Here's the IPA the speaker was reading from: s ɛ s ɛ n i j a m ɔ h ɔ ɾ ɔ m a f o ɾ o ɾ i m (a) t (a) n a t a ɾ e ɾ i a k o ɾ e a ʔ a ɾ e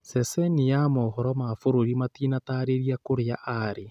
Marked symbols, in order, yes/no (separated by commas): yes, no